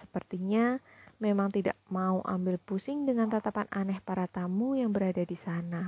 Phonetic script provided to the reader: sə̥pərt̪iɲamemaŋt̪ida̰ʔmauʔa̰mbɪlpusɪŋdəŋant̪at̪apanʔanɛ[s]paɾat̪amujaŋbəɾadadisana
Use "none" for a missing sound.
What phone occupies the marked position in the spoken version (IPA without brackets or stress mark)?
h